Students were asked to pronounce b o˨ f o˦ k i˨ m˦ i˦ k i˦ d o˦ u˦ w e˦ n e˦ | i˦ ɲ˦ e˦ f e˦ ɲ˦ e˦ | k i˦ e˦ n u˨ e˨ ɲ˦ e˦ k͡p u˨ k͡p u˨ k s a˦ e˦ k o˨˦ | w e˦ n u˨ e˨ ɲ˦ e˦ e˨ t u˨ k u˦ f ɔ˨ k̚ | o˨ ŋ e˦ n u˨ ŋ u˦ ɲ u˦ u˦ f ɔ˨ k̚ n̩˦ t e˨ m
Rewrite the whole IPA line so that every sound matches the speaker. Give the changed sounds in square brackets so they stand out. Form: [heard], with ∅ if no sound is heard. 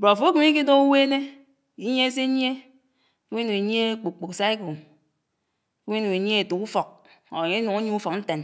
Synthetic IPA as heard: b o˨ f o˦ k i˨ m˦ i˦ k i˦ d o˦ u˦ w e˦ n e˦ | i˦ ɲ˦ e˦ [s] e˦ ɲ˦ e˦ | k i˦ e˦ n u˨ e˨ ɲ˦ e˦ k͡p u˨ k͡p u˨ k s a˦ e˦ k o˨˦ | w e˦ n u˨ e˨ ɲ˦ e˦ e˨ t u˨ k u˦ f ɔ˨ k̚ | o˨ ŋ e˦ n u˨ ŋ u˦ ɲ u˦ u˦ f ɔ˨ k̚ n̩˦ t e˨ [n]

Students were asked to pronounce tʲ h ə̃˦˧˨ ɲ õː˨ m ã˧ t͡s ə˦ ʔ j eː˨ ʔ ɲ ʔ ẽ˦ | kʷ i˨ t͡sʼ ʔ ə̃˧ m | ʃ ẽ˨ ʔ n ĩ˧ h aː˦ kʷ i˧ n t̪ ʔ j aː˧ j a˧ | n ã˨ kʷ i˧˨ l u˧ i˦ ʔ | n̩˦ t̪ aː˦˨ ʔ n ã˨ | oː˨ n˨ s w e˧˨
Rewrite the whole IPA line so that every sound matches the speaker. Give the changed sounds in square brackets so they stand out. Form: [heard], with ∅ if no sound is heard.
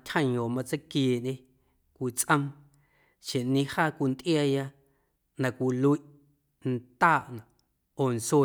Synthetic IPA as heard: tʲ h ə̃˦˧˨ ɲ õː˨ m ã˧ t͡s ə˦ [k] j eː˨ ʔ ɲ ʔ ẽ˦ | kʷ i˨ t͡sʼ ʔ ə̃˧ m | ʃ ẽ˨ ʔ n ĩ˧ h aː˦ kʷ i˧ n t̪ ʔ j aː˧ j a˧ | n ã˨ kʷ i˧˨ l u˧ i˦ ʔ | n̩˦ t̪ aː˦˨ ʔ n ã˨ | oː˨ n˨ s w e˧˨

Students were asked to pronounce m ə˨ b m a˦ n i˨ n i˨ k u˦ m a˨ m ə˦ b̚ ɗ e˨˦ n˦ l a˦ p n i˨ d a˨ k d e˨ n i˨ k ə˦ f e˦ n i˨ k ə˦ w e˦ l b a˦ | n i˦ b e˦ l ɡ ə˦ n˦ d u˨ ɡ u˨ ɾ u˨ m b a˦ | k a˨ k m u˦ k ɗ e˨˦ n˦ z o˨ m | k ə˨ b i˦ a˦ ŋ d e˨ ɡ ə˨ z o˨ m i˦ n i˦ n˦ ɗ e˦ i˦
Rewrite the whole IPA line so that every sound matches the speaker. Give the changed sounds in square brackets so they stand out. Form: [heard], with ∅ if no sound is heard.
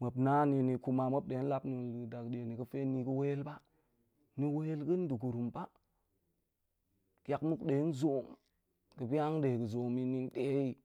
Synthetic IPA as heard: m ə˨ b [n] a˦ n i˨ n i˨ k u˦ m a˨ m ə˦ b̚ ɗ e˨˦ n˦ l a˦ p n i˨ d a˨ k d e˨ n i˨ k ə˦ f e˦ n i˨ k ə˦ w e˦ l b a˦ | n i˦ [w] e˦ l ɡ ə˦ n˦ d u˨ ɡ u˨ ɾ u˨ m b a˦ | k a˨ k m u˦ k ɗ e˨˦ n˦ z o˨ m | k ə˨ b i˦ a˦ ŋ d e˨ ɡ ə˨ z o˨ m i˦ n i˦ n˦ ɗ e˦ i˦

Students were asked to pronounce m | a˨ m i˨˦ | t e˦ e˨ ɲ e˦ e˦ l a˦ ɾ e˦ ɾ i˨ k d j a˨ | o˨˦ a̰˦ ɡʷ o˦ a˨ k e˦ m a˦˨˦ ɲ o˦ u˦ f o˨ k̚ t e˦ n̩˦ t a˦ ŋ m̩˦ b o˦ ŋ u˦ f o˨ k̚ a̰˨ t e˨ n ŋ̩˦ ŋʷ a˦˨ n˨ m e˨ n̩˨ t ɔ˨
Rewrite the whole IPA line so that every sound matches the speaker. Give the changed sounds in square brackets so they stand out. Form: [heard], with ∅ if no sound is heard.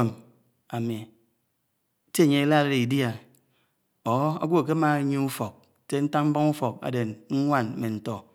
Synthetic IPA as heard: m | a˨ m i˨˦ | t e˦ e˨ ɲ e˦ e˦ l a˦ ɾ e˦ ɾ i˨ [∅] d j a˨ | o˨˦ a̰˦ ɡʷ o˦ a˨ k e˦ m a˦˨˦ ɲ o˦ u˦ f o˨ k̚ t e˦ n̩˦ t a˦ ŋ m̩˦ b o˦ ŋ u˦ f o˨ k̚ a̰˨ [d] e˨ n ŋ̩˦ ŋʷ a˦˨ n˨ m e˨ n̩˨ t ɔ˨

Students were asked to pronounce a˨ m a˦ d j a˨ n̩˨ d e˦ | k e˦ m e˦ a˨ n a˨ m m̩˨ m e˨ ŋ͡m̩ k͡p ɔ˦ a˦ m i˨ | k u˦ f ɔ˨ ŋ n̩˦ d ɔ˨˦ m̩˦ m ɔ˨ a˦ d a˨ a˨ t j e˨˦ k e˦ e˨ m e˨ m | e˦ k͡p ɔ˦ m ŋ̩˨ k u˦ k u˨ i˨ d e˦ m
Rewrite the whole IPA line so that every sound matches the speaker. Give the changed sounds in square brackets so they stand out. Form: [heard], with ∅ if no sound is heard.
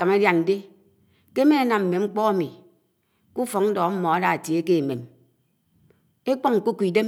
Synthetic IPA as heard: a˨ m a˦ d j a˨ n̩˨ d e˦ | k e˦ m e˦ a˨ n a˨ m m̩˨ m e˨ ŋ͡m̩ k͡p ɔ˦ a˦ m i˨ | k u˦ f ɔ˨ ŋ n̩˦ d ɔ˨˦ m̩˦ m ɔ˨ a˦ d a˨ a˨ t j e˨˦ k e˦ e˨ m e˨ m | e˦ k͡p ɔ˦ [ŋ] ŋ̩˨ k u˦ k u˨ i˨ d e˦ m

